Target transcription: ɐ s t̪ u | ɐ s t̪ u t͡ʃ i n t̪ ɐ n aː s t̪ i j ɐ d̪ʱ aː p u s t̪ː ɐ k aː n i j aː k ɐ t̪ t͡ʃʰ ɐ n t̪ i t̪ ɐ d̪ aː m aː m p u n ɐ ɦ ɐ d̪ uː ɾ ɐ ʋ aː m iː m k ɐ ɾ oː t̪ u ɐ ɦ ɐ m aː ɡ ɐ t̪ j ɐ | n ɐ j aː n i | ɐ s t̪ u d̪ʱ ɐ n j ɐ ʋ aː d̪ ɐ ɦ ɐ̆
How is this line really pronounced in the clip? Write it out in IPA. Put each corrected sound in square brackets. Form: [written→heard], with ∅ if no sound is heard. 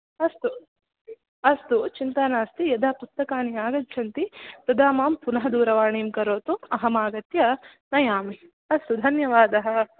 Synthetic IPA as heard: ɐ s t̪ u | ɐ s t̪ u t͡ʃ i n t̪ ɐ n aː s t̪ i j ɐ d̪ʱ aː p u s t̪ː ɐ k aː n i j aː [k→ɡ] ɐ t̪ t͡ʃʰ ɐ n t̪ i t̪ ɐ d̪ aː m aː m p u n ɐ ɦ ɐ d̪ uː ɾ ɐ ʋ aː [m→ɳ] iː m k ɐ ɾ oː t̪ u ɐ ɦ ɐ m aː ɡ ɐ t̪ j ɐ | n ɐ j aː [n→m] i | ɐ s t̪ u d̪ʱ ɐ n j ɐ ʋ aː d̪ ɐ ɦ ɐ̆